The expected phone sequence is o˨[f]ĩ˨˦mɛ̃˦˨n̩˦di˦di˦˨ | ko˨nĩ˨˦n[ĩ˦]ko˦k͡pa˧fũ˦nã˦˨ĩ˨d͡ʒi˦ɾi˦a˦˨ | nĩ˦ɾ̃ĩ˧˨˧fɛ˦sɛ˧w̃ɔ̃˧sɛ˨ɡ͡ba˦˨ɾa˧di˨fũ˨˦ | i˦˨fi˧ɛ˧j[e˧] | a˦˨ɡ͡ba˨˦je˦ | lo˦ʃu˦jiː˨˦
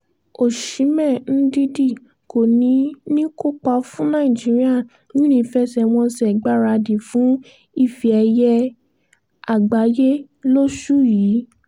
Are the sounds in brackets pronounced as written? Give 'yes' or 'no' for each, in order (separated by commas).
no, yes, no